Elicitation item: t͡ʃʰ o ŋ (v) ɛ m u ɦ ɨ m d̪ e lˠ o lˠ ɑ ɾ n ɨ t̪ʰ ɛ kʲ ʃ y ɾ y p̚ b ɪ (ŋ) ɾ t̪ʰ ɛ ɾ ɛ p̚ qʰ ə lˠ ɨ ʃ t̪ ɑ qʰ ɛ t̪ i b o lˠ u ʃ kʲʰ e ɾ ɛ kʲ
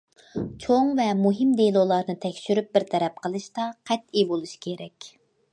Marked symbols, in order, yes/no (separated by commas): yes, no